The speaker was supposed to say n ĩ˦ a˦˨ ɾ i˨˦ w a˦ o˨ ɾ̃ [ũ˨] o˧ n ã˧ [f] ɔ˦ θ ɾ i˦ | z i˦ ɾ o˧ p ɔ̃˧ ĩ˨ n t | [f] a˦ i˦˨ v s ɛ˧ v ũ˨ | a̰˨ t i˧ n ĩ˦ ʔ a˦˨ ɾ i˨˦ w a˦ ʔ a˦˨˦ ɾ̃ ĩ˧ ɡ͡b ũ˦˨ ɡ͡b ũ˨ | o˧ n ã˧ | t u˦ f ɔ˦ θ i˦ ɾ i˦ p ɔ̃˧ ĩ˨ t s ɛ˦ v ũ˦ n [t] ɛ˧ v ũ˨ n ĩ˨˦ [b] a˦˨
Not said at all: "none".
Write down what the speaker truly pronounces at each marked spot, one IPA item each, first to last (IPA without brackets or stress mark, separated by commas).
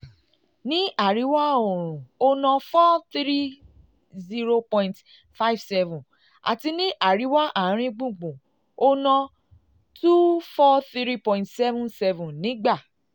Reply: ũ˨, f, f, s, ɡ͡b